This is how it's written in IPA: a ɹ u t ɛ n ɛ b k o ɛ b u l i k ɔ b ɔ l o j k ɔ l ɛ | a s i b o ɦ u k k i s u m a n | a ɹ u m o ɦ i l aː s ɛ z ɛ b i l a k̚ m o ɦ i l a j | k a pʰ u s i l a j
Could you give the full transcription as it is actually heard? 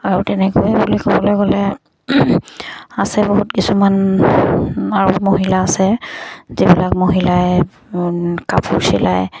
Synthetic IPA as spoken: a ɹ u t ɛ n ɛ k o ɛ b u l i k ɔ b ɔ l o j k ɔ l ɛ | a s ɛ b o ɦ u t k i s u m a n | a ɹ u m o ɦ i l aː s ɛ z i b i l a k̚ m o ɦ i l a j | k a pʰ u s i l a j